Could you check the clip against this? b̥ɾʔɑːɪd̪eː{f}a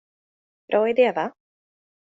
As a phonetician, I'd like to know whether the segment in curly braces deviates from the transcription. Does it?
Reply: yes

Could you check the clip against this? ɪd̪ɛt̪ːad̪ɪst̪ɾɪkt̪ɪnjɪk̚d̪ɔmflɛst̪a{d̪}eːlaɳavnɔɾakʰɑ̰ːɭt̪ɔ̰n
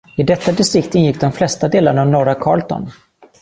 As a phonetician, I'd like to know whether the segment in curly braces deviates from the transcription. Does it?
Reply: no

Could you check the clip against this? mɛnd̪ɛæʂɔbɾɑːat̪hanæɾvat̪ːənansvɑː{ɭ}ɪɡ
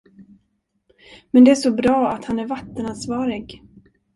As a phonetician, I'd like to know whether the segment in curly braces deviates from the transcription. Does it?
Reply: yes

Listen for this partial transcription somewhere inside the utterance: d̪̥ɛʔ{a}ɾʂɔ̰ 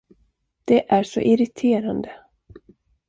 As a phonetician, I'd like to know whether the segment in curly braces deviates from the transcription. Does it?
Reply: yes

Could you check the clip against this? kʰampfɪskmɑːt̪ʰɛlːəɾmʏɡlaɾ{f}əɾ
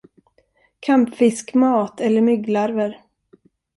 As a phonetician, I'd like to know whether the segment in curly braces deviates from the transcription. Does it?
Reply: yes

